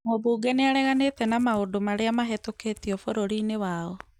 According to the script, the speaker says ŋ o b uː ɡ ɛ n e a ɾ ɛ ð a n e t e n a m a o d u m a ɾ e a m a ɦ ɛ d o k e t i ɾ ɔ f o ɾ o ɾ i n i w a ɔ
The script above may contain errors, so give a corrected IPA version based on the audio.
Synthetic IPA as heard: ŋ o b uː ɡ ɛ n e a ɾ ɛ ɣ a n e t ɛ n a m a o d o m a ɾ e a m a ɦ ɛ t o k e t i ɔ f o ɾ o ɾ i n e w a ɔ